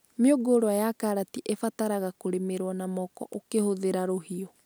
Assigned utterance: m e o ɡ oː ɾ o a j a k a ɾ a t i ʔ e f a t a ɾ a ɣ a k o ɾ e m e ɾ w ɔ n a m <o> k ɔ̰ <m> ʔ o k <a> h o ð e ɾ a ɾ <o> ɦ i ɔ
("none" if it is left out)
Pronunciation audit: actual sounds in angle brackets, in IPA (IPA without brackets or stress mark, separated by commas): ɔ, none, e, o